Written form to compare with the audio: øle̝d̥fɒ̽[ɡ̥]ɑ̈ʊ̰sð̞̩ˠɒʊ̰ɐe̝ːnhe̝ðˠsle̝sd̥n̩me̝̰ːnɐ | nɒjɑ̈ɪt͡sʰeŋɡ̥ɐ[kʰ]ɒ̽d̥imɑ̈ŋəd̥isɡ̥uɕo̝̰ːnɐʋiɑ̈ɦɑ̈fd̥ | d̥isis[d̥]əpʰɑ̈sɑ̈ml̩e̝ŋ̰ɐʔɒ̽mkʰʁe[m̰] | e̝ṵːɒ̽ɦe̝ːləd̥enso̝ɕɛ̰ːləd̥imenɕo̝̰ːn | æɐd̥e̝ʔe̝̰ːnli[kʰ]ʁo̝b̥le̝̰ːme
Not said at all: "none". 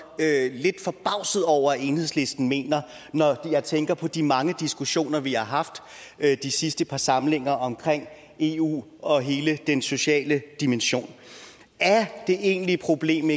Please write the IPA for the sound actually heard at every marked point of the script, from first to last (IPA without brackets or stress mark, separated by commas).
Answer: b̥, pʰ, d̥, ŋ̰, pʰ